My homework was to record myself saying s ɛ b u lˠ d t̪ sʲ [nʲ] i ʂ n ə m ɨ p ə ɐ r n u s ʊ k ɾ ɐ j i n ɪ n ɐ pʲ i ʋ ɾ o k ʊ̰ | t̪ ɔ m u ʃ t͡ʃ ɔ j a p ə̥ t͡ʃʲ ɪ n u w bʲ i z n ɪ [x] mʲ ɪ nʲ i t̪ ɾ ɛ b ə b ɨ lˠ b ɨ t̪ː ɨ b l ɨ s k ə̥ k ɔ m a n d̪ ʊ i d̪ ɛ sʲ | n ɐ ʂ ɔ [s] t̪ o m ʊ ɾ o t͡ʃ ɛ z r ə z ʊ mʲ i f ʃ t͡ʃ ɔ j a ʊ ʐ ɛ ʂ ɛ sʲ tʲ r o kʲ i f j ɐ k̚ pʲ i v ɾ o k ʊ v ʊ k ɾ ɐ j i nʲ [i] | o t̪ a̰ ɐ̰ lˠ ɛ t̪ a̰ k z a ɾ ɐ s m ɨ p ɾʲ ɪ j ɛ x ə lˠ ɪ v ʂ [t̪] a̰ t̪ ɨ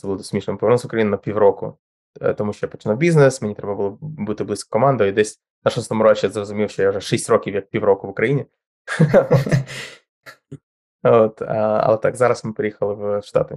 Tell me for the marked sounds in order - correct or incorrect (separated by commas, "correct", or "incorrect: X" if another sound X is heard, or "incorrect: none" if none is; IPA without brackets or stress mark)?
incorrect: mʲ, incorrect: s, correct, incorrect: ɪ, correct